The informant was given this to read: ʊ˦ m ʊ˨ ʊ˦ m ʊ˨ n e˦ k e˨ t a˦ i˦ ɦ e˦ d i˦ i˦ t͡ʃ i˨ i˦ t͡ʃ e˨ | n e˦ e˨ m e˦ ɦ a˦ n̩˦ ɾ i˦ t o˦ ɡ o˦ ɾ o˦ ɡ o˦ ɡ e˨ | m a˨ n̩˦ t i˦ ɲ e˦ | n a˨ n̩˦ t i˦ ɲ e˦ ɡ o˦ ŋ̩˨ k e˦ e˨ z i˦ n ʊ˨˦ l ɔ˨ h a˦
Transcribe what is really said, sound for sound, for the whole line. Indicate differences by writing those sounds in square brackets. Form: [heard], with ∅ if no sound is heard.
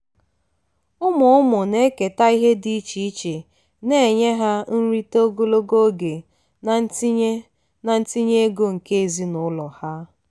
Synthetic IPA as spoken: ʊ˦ m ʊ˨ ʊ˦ m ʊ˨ n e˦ k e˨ t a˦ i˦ ɦ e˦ d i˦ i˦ t͡ʃ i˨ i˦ t͡ʃ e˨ | n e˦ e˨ [ɲ] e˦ ɦ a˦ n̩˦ ɾ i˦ t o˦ ɡ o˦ [l] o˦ ɡ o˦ ɡ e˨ | [n] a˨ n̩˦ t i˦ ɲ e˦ | n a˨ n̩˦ t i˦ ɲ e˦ ɡ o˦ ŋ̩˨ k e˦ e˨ z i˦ n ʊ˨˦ l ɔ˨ h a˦